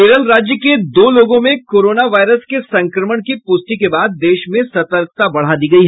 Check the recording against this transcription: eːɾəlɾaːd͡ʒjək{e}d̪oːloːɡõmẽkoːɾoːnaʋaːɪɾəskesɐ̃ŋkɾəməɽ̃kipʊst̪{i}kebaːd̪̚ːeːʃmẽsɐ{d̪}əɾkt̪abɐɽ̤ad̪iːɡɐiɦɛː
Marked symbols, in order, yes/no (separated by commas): yes, yes, no